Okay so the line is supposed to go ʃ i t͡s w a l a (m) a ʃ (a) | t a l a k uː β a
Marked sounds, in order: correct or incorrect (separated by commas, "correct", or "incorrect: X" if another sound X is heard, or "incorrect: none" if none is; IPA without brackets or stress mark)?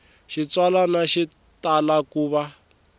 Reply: incorrect: n, incorrect: i